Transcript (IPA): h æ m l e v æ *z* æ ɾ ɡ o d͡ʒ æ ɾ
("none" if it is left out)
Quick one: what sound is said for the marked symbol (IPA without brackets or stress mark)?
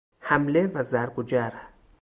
z